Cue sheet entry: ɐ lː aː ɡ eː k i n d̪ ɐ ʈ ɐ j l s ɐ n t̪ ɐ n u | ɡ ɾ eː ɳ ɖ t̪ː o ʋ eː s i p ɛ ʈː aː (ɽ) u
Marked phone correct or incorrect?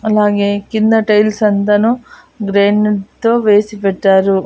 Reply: incorrect